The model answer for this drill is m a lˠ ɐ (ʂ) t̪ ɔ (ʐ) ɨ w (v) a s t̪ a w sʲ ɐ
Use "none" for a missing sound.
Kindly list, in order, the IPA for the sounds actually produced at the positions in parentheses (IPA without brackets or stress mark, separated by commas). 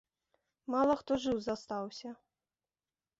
x, ʐ, z